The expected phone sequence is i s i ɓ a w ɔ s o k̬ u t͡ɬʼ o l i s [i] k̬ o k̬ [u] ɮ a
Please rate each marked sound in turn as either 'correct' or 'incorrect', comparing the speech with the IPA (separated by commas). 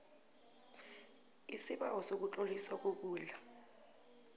incorrect, incorrect